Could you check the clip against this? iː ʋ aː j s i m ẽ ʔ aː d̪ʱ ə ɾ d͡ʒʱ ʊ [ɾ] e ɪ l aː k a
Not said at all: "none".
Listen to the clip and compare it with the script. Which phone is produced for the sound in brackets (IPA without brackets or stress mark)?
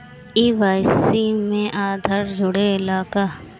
ɽ